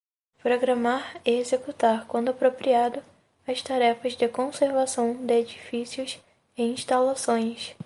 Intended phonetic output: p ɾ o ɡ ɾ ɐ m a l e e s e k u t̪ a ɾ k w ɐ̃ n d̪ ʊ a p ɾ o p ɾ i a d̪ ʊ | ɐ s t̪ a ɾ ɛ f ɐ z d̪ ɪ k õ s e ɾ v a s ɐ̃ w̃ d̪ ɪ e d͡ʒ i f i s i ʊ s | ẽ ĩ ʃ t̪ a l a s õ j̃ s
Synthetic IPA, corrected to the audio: p ɾ o ɡ ɾ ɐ m a ɾ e e z e k u t̪ a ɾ k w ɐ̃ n d̪ ʊ a p ɾ o p ɾ i a d̪ ʊ | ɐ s t̪ a ɾ ɛ f ɐ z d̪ ɪ k õ s e ɾ v a s ɐ̃ w̃ d̪ ɪ e d͡ʒ i f i s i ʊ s | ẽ ĩ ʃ t̪ a l a s õ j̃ s